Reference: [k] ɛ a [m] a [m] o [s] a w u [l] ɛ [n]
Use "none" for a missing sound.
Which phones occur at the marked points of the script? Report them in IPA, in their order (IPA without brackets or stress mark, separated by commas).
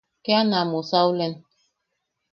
k, n, m, s, l, n